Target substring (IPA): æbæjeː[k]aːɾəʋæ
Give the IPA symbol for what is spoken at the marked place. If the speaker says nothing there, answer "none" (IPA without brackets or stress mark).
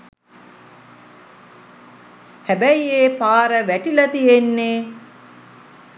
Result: p